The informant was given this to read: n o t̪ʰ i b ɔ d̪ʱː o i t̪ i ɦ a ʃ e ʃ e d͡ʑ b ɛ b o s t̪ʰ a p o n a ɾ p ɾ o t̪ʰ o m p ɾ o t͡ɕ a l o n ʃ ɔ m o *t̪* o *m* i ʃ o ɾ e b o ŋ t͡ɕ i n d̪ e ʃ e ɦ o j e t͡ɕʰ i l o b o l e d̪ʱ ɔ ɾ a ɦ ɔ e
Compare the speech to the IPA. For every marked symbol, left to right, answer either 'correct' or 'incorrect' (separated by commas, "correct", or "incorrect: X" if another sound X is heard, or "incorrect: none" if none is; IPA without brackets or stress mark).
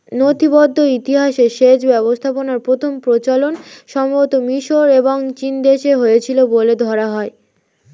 correct, correct